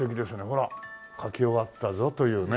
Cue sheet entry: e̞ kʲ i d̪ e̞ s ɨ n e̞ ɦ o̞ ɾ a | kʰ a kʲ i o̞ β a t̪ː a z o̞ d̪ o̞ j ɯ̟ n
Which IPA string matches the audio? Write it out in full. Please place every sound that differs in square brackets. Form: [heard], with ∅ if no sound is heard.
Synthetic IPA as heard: e̞ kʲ i d̪ e̞ s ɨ n e̞ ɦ o̞ ɾ a | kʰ a kʲ i o̞ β a t̪ː a z o̞ [t̪] o̞ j [ɯ̟ː] n